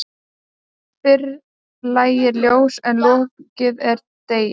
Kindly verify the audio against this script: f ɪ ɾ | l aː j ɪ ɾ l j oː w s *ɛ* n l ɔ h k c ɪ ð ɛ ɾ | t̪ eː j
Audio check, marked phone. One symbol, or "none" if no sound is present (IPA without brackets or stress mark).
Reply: ɛ